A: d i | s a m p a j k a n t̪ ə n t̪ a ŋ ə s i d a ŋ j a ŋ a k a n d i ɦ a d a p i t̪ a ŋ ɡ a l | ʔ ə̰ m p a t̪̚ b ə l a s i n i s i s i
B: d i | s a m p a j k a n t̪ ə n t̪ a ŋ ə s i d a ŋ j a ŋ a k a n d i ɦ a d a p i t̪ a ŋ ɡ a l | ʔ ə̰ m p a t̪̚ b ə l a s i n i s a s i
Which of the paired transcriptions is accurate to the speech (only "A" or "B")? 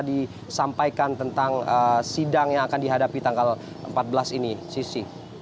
A